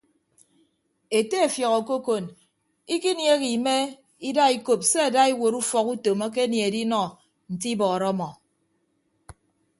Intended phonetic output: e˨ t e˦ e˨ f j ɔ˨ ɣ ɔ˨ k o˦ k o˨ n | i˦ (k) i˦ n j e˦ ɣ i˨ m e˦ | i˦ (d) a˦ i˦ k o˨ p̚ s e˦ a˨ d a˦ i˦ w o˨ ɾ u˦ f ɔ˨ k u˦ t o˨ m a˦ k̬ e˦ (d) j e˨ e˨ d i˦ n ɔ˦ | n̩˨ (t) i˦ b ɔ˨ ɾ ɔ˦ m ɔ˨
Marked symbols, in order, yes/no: yes, yes, no, yes

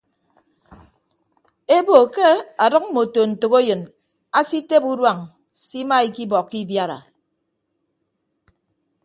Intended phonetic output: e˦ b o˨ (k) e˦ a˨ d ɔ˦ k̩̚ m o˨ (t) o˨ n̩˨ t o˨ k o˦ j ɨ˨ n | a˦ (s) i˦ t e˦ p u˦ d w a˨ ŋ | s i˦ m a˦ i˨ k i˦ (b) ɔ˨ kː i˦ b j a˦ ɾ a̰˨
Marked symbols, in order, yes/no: yes, yes, yes, yes

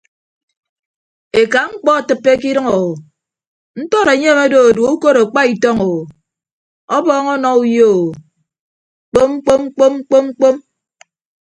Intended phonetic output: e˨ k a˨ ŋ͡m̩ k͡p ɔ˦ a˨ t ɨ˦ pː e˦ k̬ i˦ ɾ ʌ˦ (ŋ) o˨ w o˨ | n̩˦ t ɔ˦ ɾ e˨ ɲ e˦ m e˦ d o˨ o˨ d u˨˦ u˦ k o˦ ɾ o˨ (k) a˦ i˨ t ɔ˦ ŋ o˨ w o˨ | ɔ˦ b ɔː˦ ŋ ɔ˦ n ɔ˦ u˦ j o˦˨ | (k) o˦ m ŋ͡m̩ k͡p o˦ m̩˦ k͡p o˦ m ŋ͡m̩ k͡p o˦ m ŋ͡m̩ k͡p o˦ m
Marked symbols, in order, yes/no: yes, no, no

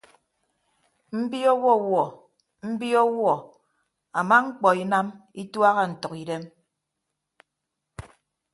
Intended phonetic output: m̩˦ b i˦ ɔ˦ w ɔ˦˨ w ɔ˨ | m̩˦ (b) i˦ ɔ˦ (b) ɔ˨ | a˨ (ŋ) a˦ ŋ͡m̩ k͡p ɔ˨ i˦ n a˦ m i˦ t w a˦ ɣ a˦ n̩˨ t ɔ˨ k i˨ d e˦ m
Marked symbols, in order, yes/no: yes, no, no

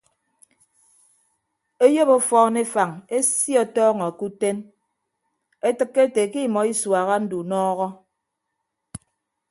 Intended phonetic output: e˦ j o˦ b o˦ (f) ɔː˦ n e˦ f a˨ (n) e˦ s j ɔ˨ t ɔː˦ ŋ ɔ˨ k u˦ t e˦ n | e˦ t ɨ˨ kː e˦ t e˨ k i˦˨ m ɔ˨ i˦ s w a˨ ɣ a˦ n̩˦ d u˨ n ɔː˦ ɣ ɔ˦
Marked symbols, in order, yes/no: yes, no

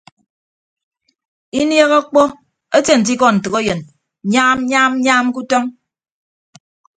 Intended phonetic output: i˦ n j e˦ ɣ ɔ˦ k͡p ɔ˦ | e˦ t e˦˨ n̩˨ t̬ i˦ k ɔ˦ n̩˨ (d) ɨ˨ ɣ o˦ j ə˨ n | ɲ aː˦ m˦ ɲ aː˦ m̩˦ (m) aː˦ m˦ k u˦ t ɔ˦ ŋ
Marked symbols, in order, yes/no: no, no

